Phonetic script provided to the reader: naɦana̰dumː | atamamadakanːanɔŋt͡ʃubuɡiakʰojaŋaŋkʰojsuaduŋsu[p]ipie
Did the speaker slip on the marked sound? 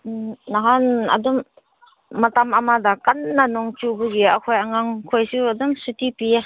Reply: yes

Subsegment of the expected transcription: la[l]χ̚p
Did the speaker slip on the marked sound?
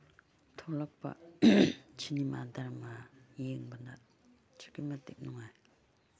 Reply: yes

